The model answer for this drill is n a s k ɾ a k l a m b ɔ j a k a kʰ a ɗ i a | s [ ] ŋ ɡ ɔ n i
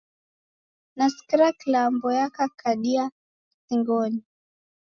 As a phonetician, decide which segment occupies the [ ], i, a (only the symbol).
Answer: i